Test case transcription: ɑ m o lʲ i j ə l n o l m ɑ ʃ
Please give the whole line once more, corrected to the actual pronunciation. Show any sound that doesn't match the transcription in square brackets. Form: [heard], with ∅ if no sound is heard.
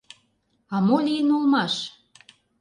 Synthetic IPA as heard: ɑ m o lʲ i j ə [∅] n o l m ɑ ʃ